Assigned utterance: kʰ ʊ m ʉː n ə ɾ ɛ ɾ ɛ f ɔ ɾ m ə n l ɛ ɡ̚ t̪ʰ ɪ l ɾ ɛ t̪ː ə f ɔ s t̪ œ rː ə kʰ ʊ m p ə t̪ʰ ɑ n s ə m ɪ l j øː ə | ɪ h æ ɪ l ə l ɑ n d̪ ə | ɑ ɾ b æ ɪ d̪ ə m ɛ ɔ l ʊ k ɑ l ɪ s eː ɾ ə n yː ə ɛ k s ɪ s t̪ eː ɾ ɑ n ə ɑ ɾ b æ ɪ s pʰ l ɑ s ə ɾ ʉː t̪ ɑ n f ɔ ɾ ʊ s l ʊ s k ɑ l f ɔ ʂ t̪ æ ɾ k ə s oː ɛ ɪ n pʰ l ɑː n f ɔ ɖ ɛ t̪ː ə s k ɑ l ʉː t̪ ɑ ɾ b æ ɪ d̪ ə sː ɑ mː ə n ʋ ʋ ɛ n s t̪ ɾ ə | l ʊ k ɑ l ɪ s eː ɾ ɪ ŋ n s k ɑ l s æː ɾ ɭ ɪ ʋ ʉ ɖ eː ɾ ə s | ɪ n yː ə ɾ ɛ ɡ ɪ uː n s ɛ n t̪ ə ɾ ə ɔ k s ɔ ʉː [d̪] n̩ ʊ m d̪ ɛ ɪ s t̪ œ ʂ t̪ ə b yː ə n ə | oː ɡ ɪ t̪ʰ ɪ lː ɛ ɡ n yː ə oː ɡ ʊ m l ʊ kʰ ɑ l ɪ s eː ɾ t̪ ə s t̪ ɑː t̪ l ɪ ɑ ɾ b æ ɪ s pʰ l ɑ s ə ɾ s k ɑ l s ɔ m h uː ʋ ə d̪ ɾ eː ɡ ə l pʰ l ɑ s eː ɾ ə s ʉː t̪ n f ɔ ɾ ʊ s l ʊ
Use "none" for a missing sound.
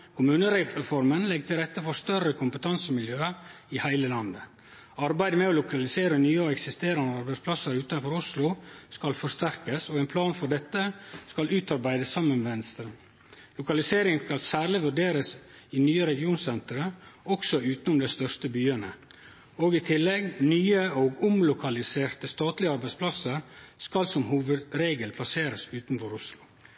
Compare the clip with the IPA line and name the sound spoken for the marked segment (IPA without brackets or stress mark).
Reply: t̪